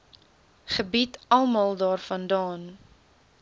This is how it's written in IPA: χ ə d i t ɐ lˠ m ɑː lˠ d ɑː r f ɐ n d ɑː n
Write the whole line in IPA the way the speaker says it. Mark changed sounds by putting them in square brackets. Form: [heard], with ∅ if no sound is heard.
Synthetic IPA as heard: χ ə [b] i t ɐ lˠ m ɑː lˠ d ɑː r f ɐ n d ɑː n